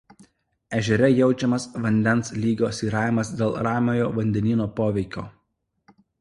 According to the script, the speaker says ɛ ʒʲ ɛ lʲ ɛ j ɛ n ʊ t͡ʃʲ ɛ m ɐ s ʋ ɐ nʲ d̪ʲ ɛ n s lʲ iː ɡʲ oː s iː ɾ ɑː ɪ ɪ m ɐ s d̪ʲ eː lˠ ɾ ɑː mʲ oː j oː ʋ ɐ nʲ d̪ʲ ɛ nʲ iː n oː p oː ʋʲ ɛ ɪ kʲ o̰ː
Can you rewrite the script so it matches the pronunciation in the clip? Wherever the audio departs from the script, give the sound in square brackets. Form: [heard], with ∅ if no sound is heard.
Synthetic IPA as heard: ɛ ʒʲ ɛ [ɾʲ] ɛ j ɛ [∅] ʊ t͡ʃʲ ɛ m ɐ s ʋ ɐ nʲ d̪ʲ ɛ n s lʲ iː ɡʲ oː s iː ɾ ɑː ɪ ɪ m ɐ s d̪ʲ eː lˠ ɾ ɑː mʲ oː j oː ʋ ɐ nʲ d̪ʲ ɛ nʲ iː n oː p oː ʋʲ ɛ ɪ kʲ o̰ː